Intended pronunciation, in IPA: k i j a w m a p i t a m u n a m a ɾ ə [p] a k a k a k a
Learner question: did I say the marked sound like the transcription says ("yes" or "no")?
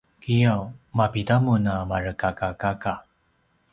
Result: no